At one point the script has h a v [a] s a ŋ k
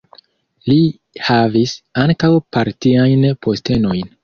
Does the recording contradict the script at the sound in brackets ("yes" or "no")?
yes